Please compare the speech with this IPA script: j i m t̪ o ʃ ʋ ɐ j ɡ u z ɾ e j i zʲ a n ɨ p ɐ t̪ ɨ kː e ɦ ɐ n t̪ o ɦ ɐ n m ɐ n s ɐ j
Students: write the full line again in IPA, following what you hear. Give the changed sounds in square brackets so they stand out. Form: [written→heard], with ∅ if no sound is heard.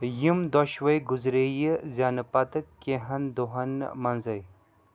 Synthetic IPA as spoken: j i m [t̪→d̪] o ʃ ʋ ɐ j ɡ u z ɾ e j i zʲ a n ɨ p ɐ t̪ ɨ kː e ɦ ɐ n [t̪→d̪] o ɦ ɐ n m ɐ n [s→z] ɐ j